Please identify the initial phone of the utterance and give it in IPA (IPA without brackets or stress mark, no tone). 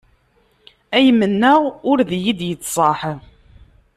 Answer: æ